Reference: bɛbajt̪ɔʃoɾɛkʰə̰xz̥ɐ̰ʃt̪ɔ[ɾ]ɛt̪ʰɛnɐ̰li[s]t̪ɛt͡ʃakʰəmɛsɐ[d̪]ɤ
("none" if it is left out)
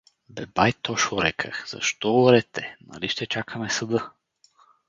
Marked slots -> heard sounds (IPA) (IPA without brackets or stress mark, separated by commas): ɾ, ʃ, d̪